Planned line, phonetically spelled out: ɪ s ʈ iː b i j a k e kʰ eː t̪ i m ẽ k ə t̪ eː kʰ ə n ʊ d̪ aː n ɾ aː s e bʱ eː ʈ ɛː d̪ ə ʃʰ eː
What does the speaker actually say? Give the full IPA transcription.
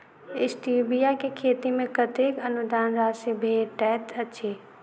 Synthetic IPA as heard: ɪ s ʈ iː b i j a k e kʰ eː t̪ i m ẽ k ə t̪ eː k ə n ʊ d̪ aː n ɾ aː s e bʱ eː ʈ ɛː t̪ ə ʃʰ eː